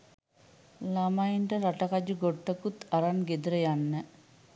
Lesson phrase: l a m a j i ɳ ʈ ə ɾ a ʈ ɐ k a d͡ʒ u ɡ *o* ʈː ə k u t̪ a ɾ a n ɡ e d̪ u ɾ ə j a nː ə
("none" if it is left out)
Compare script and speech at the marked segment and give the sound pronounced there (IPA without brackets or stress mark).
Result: o